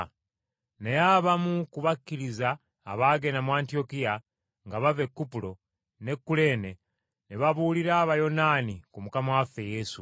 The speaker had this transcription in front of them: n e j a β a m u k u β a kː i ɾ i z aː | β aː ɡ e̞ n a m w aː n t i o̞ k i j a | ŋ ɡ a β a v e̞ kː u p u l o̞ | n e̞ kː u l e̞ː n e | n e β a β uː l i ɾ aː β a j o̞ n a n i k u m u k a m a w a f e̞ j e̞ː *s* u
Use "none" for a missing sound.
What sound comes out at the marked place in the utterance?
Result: s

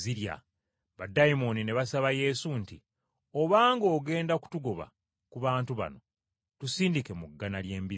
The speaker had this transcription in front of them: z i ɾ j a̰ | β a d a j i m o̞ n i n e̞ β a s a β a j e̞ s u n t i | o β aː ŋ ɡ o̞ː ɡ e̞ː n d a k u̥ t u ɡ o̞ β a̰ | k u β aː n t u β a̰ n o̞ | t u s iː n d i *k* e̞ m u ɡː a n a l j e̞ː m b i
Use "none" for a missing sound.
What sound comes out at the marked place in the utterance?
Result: k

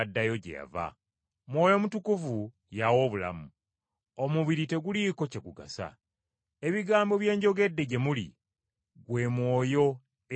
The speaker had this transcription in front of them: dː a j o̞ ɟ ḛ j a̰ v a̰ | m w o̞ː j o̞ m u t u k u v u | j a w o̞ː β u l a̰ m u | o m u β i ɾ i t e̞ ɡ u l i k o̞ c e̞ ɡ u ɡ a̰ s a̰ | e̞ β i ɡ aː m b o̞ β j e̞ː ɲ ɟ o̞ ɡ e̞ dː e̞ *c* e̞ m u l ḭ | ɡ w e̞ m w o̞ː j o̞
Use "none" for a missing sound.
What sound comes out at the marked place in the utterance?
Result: ɟ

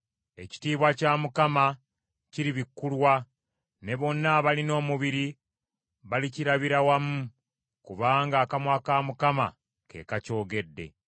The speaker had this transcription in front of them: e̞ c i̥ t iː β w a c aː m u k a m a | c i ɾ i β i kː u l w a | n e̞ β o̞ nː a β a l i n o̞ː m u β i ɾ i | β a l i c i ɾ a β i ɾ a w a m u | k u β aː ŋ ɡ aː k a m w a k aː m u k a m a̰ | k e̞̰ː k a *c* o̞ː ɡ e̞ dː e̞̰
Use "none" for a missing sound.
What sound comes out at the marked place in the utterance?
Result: c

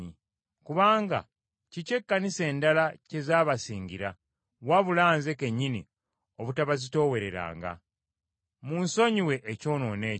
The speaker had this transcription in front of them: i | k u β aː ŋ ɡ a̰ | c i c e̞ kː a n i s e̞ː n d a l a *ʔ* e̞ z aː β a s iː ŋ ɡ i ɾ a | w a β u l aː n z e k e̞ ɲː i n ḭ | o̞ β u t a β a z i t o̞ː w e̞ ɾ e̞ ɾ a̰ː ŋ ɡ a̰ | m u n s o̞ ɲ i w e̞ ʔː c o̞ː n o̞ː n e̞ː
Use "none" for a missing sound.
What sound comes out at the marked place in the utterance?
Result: c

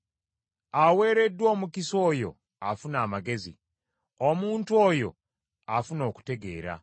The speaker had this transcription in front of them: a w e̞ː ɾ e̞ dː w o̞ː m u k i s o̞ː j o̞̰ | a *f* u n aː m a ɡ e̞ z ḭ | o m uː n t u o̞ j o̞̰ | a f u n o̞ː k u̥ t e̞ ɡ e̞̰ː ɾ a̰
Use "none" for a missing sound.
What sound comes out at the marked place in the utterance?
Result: f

